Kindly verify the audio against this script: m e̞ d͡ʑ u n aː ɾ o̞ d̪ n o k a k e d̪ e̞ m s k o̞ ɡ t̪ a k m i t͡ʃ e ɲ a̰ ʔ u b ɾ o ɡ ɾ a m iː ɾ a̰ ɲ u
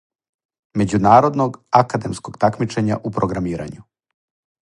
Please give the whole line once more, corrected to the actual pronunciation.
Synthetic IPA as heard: m e̞ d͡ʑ u n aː ɾ o̞ d̪ n o ɡ a k a d̪ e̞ m s k o̞ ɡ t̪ a k m i t͡ʃ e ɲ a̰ ʔ u p ɾ o ɡ ɾ a m iː ɾ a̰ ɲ u